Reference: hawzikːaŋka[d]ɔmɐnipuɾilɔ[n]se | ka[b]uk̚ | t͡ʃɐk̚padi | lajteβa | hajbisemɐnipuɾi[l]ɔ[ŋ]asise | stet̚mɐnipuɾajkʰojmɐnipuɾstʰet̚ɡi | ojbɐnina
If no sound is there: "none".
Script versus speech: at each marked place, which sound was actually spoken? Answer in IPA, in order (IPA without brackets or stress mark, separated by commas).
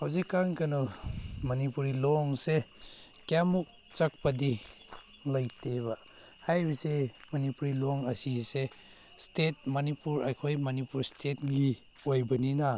n, ŋ, m, l, ŋ